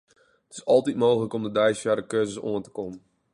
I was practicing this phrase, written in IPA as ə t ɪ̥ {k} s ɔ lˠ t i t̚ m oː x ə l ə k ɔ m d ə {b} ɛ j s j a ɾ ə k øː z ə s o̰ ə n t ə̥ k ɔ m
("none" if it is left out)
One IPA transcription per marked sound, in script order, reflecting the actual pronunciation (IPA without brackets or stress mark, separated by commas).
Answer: none, d